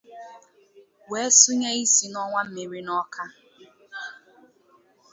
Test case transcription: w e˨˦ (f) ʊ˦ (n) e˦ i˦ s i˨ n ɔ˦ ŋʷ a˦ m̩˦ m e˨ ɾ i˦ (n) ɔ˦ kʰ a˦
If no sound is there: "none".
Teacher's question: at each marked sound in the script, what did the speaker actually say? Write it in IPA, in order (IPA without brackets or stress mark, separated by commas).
s, ɲ, n